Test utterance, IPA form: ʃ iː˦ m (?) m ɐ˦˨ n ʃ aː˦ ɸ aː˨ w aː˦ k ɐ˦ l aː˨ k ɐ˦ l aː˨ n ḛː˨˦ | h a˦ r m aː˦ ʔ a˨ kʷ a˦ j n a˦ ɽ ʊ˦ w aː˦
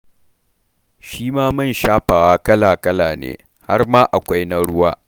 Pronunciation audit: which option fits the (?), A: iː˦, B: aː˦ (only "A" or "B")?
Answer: B